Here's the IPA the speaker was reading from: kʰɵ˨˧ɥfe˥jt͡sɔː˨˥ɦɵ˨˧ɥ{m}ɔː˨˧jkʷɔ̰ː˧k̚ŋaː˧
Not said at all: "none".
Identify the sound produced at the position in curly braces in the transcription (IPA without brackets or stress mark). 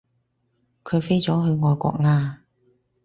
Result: ŋ